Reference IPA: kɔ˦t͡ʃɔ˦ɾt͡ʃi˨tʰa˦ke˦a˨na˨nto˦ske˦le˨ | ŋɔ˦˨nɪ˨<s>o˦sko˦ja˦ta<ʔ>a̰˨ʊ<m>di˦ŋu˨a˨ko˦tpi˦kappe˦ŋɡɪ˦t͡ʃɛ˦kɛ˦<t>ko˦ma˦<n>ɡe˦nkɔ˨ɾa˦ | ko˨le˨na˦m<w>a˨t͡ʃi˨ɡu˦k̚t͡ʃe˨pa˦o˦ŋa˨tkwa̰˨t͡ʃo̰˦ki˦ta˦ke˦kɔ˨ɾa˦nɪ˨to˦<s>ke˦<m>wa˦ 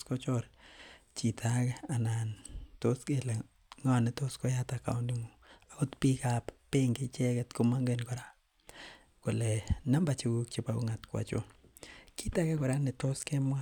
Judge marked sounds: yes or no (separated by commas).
no, no, no, yes, no, no, yes, yes